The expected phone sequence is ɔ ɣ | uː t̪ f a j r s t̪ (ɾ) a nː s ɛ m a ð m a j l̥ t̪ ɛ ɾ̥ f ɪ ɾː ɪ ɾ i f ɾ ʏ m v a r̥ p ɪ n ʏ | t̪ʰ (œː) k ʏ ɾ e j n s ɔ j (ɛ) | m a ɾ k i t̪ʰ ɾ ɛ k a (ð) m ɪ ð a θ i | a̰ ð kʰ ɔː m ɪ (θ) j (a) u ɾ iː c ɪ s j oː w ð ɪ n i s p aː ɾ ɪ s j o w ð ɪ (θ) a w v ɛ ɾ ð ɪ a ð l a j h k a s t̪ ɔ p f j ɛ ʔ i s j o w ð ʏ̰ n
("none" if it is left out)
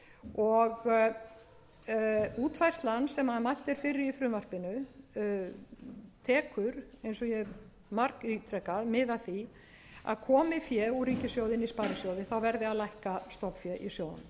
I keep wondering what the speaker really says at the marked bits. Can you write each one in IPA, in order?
l, ɛː, ɛ, ð, f, ɛ, θ

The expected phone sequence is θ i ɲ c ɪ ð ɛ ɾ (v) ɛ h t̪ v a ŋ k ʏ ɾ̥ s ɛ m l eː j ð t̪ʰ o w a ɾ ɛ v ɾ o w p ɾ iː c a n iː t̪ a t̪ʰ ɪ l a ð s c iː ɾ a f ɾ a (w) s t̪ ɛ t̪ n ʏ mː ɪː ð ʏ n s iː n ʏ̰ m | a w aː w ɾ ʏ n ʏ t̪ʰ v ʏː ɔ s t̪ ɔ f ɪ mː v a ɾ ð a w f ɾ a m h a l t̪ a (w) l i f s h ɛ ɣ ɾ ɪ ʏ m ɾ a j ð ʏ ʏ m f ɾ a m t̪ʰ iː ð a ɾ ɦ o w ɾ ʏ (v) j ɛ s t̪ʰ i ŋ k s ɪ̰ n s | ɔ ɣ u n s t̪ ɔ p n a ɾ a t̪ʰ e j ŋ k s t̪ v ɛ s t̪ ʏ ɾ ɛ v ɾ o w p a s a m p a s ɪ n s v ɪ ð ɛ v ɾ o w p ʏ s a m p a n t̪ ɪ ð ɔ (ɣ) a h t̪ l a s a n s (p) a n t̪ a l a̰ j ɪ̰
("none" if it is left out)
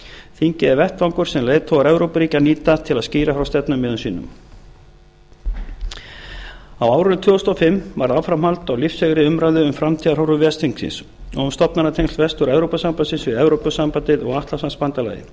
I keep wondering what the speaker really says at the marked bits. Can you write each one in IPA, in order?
v, w, w, v, ɣ, p

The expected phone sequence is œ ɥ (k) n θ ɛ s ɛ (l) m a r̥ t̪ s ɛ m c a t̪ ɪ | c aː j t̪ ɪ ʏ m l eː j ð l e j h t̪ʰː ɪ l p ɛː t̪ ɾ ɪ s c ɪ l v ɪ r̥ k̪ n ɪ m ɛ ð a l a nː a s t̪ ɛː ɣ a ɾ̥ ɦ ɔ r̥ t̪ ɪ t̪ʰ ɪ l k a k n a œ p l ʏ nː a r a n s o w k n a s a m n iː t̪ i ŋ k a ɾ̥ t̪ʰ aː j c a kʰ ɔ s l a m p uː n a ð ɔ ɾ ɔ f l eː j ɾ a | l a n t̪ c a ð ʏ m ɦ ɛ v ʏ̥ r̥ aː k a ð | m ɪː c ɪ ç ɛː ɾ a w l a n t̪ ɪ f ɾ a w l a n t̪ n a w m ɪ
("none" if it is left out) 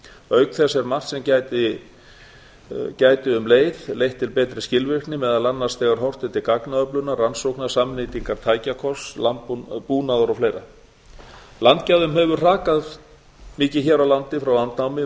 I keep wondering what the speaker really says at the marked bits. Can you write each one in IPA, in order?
k, ɾ

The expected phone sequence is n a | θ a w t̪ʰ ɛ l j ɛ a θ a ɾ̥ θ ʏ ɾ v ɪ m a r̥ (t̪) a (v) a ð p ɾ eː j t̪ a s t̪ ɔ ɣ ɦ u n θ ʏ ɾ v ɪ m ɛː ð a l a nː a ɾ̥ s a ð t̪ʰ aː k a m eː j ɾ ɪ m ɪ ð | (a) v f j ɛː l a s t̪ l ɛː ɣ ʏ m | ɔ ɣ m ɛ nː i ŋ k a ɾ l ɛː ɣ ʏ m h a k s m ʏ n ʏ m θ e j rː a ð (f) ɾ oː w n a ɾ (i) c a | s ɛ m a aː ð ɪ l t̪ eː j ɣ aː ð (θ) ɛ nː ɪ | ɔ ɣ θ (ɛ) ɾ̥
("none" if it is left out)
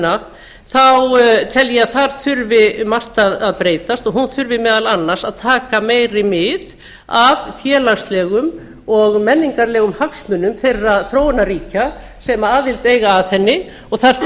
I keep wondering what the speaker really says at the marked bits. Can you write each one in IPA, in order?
t̪, ð, a, θ, iː, θ, a

